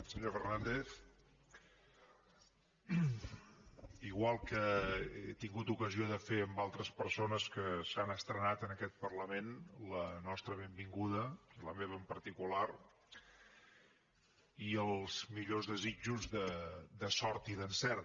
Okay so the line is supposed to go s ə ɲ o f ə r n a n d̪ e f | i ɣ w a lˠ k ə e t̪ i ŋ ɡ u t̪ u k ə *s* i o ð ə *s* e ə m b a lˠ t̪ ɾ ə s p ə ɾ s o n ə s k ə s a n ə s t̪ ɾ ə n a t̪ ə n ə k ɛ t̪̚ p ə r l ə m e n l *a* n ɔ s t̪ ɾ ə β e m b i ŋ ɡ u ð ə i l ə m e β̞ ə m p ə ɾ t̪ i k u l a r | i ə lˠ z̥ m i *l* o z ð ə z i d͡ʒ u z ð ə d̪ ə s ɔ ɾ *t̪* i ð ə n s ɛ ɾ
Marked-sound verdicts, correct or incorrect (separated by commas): incorrect, incorrect, incorrect, incorrect, correct